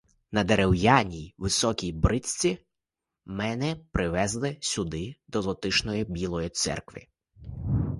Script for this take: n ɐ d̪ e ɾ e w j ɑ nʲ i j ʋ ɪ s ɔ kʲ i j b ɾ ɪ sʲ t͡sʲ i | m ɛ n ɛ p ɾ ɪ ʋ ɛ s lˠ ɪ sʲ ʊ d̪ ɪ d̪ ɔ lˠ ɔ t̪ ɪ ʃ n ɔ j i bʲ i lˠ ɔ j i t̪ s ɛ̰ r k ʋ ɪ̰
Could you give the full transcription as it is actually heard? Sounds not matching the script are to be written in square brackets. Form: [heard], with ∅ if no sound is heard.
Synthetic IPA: n ɐ d̪ e ɾ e w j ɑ nʲ i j ʋ ɪ s ɔ kʲ i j b ɾ ɪ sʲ t͡sʲ i | m ɛ n ɛ p ɾ ɪ ʋ ɛ [z] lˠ ɪ sʲ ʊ d̪ ɪ d̪ ɔ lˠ ɔ t̪ ɪ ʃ n ɔ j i bʲ i lˠ ɔ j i t̪ s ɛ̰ r k ʋ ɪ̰

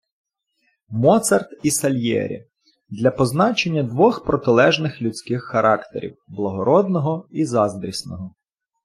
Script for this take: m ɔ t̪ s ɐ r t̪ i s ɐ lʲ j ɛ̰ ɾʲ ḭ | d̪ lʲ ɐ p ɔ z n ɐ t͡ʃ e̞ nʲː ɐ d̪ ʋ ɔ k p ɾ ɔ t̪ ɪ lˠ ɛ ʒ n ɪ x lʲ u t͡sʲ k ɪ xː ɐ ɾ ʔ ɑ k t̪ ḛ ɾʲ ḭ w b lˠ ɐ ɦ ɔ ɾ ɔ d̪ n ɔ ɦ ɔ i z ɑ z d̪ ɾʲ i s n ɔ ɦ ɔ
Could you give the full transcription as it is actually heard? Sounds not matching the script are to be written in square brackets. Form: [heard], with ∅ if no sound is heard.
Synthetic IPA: m ɔ t̪ s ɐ r t̪ i s ɐ lʲ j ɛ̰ ɾʲ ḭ | d̪ lʲ ɐ p ɔ z n [ɑ] t͡ʃ e̞ nʲː ɐ d̪ ʋ ɔ [x] p ɾ ɔ t̪ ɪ lˠ ɛ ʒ n ɪ x lʲ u t͡sʲ k ɪ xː ɐ ɾ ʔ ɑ k t̪ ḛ ɾʲ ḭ w b lˠ ɐ ɦ ɔ ɾ ɔ d̪ n ɔ ɦ ɔ i z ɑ z d̪ ɾʲ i s n ɔ ɦ ɔ

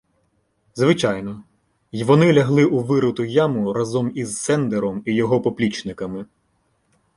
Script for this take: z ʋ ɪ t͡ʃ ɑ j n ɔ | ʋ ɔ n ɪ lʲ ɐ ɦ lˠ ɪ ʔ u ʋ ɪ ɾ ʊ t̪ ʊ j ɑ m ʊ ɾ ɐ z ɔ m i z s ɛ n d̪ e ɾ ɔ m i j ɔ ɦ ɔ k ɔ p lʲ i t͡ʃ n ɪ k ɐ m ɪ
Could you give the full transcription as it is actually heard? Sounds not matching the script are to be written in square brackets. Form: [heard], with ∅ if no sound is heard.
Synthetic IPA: z ʋ ɪ t͡ʃ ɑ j n ɔ | ʋ ɔ n ɪ lʲ ɐ ɦ lˠ ɪ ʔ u ʋ ɪ ɾ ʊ t̪ ʊ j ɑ m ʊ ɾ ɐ z ɔ m i z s ɛ n d̪ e ɾ ɔ m i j ɔ ɦ ɔ [p] ɔ p lʲ i t͡ʃ n ɪ k ɐ m ɪ

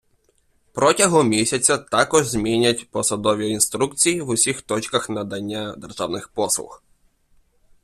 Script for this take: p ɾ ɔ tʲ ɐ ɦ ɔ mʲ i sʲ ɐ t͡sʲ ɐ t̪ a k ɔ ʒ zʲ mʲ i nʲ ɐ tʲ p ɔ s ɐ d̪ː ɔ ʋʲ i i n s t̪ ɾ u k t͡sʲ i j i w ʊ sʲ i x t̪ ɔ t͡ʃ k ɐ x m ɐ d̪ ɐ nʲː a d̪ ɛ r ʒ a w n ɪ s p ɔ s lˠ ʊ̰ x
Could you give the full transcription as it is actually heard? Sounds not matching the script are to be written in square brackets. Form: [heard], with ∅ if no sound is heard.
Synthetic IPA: p ɾ ɔ tʲ ɐ ɦ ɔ mʲ i sʲ ɐ t͡sʲ ɐ t̪ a k ɔ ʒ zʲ mʲ i nʲ ɐ tʲ p ɔ s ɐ [d̪] ɔ ʋʲ i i n s t̪ ɾ u k t͡sʲ i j i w ʊ sʲ i x t̪ ɔ t͡ʃ k ɐ x [n] ɐ d̪ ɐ nʲː a d̪ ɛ r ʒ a w n ɪ [x] p ɔ s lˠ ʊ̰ x

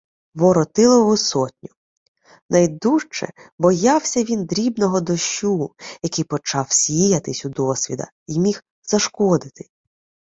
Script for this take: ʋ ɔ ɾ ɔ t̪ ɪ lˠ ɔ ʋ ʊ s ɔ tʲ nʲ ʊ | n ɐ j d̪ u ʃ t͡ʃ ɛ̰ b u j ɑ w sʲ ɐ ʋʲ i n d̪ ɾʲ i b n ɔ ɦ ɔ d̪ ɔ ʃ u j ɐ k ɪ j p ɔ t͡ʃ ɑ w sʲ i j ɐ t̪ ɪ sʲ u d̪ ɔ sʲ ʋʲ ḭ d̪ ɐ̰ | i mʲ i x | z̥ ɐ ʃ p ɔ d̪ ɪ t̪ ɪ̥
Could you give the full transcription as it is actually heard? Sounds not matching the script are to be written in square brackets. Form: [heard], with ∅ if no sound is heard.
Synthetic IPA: ʋ ɔ ɾ ɔ t̪ ɪ lˠ ɔ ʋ ʊ s ɔ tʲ nʲ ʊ | n ɐ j d̪ u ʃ t͡ʃ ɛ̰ b [ɔ] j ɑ w sʲ ɐ ʋʲ i n d̪ ɾʲ i b n ɔ ɦ ɔ d̪ ɔ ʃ u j ɐ k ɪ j p ɔ t͡ʃ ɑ w sʲ i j ɐ t̪ ɪ sʲ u d̪ ɔ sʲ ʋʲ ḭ d̪ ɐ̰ | i mʲ i x | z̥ ɐ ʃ [k] ɔ d̪ ɪ t̪ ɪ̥

